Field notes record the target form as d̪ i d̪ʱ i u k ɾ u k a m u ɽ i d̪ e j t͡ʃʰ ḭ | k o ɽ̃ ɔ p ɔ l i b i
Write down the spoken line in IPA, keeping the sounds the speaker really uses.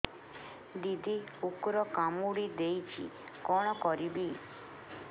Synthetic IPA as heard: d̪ i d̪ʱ i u k ɾ ɔ k a m u ɽ i d̪ e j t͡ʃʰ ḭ | k ɔ ɽ̃ ɔ k ɔ ɾ i b i